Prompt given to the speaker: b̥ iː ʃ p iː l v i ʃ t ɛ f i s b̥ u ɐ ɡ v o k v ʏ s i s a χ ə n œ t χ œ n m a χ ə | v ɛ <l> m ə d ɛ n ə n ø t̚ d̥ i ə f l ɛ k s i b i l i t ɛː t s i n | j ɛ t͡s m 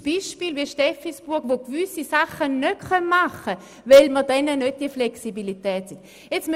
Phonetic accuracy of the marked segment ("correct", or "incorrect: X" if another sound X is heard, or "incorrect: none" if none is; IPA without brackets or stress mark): correct